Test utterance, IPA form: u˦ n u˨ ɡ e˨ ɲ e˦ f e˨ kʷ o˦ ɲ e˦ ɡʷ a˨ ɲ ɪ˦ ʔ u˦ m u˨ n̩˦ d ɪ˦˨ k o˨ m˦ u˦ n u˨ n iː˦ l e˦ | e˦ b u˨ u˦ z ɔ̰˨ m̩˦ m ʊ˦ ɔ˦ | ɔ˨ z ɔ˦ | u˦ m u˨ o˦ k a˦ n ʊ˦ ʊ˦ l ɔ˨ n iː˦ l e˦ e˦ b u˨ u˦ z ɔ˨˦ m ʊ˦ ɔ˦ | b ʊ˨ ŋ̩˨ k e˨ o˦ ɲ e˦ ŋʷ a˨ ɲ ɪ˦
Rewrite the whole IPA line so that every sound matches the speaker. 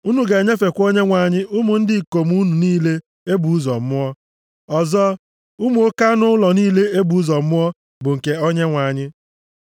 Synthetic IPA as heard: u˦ n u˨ ɡ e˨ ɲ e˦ f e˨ kʷ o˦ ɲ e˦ ŋʷ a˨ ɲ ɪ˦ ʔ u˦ m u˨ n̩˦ d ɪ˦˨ k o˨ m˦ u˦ n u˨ n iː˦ l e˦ | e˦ b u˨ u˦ z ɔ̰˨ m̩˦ m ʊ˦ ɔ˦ | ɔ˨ z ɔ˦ | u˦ m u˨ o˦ k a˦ n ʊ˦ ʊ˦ l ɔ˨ n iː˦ l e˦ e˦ b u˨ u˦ z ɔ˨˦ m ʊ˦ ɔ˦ | b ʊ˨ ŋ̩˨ k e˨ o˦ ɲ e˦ ŋʷ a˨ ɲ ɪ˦